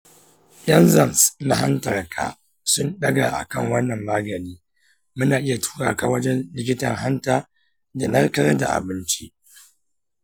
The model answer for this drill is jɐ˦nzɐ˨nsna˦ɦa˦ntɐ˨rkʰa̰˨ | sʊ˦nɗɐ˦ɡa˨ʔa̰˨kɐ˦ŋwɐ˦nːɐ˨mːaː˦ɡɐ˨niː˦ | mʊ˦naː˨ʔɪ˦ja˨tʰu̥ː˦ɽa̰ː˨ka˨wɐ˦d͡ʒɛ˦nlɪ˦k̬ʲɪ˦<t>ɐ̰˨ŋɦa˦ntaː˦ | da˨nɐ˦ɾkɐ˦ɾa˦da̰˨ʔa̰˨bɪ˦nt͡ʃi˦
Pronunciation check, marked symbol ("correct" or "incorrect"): correct